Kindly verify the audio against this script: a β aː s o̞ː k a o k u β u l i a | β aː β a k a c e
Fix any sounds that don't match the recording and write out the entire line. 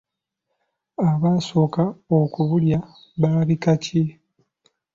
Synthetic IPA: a β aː s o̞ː k a o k u β u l j a | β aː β i k a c e